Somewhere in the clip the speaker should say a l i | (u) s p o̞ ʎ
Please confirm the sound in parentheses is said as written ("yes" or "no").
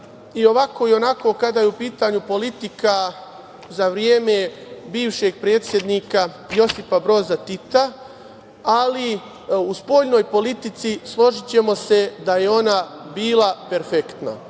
yes